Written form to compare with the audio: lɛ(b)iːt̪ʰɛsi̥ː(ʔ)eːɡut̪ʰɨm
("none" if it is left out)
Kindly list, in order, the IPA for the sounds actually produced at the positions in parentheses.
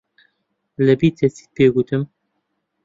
b, p

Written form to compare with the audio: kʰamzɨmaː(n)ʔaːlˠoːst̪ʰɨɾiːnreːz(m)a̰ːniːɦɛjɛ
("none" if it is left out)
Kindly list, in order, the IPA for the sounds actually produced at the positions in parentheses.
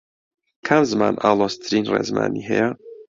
n, m

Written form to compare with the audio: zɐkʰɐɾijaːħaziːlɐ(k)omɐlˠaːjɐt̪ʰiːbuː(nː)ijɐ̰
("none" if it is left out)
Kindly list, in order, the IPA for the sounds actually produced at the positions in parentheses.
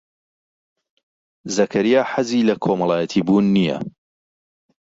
kʰ, nː

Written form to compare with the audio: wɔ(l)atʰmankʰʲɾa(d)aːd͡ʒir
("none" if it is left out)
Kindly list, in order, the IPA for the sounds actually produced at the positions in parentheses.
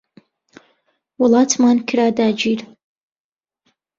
l, d

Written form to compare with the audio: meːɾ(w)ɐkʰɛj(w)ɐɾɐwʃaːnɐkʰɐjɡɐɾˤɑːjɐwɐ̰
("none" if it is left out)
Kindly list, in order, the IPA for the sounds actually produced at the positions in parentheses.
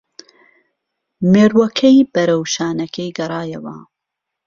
w, b

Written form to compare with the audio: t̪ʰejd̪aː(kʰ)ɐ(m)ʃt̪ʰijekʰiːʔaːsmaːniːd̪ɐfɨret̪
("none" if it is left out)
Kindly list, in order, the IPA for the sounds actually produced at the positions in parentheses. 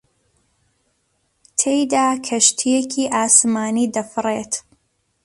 kʰ, none

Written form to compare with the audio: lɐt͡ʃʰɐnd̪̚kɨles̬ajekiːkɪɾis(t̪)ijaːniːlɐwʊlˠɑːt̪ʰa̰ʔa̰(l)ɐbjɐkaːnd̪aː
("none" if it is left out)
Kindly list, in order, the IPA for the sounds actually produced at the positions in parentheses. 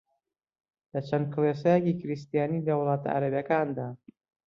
t̪, ɾ

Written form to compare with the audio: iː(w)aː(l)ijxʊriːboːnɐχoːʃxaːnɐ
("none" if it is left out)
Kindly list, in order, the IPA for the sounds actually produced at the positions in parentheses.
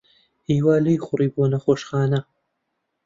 w, l

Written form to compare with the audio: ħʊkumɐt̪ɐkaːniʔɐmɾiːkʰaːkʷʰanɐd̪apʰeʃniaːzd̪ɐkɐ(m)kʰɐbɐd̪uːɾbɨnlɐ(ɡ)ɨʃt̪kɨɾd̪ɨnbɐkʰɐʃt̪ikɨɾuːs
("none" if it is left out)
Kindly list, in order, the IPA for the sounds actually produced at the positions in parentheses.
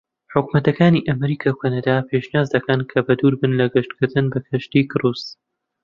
n, ɡ

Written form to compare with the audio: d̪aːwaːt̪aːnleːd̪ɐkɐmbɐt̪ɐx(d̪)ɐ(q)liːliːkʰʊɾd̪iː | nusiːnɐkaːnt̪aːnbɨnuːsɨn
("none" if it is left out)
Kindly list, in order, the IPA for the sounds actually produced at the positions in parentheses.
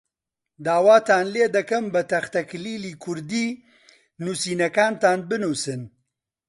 t̪, k

